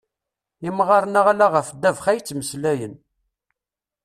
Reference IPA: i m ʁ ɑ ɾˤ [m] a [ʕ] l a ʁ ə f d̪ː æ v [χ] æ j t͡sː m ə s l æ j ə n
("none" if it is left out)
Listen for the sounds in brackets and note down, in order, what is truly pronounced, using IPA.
n, ʁ, χ

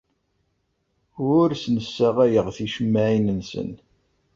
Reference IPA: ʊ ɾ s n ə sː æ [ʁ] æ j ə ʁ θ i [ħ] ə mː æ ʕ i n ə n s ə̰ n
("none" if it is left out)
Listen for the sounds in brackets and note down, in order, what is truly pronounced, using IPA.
ʁ, ʃ

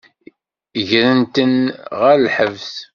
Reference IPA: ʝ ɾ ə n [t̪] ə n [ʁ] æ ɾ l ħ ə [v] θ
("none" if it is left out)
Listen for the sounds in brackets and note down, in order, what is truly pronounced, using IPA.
t̪, ʁ, v

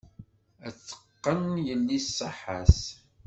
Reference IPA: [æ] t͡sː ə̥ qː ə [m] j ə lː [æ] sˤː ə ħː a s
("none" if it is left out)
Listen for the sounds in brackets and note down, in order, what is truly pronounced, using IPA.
æ, n, i

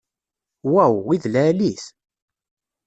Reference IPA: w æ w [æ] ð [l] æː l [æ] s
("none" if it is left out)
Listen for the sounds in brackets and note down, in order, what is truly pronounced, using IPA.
i, l, i

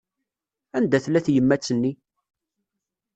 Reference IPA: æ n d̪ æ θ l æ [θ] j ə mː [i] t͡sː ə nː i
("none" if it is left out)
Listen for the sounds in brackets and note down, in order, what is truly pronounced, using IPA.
θ, æ

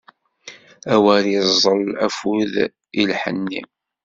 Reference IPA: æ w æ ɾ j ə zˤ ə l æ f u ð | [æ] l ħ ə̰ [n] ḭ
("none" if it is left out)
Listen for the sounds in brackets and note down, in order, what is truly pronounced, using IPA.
i, nː

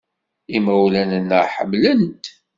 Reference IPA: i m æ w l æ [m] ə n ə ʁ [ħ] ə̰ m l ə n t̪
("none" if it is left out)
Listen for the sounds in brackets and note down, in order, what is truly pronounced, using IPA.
n, ħ

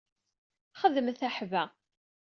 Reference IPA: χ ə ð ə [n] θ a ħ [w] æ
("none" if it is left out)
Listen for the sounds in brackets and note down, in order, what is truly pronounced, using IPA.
m, v

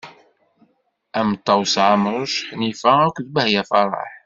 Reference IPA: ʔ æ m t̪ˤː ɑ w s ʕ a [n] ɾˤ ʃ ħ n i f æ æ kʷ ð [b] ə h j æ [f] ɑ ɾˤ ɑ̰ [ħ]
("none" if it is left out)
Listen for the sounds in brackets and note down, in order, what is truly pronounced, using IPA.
m, b, f, ħ

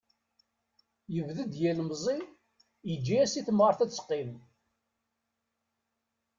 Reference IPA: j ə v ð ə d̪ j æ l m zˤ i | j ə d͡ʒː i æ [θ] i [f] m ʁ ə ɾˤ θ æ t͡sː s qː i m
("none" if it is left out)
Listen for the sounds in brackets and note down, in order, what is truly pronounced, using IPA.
s, θ

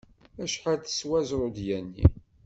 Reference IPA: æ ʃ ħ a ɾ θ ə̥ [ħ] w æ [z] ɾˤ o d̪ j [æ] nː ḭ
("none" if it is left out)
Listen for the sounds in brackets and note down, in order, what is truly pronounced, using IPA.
s, z, æ

